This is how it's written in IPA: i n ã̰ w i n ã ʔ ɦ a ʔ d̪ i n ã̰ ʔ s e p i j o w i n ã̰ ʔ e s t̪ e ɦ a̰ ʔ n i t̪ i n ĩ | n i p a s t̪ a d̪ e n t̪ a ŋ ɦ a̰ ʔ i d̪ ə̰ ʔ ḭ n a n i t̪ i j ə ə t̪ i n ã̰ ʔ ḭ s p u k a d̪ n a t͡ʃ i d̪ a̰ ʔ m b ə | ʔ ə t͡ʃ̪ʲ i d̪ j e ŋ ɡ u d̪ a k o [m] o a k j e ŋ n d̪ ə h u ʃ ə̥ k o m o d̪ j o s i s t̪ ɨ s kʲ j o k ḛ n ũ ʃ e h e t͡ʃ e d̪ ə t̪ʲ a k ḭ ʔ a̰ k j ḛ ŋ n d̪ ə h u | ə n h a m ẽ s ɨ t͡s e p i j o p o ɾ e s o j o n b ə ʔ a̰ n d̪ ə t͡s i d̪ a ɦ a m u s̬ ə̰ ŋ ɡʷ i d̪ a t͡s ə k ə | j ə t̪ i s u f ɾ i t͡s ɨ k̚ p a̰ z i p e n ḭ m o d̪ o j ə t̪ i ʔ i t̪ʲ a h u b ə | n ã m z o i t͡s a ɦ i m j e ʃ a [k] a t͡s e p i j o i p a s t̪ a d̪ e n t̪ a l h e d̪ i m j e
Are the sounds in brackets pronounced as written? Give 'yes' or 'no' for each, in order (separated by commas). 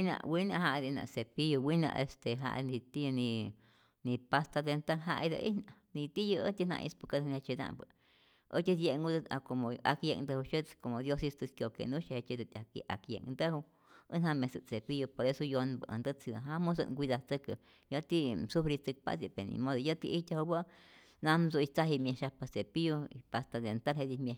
yes, no